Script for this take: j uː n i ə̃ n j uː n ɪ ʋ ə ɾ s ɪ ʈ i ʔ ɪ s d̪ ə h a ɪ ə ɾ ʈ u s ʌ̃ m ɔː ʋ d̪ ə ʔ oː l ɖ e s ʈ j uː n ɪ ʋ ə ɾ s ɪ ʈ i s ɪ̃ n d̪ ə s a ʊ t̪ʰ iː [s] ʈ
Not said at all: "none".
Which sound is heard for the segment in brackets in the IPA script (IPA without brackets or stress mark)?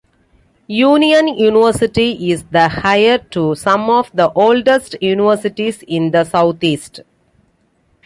s